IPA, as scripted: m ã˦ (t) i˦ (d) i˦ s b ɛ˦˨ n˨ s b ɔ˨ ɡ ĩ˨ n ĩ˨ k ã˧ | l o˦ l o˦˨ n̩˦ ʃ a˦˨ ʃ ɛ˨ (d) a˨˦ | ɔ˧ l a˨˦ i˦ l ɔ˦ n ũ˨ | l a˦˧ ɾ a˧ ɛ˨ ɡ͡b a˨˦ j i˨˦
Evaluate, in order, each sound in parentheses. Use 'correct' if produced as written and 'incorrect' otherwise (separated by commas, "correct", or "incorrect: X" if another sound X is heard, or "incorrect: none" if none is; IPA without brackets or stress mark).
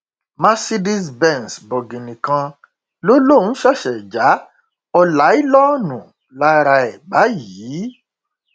incorrect: s, correct, incorrect: d͡ʒ